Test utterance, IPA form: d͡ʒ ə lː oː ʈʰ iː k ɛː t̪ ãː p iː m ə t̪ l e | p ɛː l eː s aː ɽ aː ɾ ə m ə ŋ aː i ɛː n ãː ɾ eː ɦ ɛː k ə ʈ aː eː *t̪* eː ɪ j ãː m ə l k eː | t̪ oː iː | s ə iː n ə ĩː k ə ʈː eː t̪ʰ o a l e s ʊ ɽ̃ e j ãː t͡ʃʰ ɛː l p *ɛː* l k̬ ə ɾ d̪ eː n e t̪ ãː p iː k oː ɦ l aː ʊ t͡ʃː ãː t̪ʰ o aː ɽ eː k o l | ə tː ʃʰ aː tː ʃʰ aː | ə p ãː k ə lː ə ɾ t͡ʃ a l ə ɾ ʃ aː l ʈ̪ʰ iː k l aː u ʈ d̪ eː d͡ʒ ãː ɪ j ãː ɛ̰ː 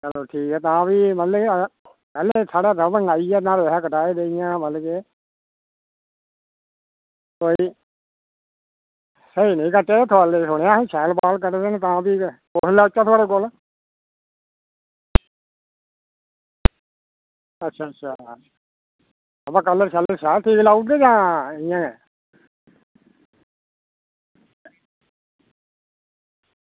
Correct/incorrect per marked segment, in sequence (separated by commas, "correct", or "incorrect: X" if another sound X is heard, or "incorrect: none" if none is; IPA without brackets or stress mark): incorrect: d̪, incorrect: aː